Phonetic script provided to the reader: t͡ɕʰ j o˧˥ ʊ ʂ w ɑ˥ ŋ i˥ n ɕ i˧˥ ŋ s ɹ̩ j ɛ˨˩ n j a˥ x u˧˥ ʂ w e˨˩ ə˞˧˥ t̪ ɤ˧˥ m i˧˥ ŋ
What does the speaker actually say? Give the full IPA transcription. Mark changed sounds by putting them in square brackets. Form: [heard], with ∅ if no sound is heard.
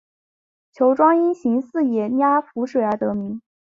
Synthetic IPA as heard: t͡ɕʰ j o˧˥ ʊ [ʈ͡ʂ] w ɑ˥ ŋ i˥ n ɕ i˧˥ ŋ s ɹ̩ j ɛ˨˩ n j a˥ [f] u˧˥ ʂ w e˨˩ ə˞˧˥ t̪ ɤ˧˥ m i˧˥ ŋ